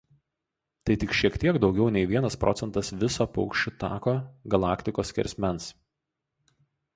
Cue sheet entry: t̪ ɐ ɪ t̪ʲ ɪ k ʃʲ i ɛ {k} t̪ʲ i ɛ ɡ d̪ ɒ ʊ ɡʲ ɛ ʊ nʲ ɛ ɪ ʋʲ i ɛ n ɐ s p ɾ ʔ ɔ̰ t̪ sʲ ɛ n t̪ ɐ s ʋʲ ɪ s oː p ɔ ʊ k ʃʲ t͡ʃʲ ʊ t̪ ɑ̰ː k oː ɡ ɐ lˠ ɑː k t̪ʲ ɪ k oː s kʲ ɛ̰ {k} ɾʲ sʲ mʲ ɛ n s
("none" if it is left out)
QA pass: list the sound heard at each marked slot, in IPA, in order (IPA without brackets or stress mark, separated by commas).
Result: k, none